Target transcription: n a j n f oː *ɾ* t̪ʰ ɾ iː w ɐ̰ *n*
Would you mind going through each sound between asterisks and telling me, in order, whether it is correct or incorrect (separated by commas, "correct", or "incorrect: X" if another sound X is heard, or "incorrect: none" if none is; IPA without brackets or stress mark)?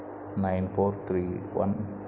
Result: correct, correct